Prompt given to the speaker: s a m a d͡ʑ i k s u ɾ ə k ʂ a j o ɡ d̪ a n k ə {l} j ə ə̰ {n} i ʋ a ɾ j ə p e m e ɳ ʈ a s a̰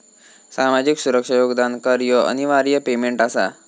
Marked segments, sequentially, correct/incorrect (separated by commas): incorrect, correct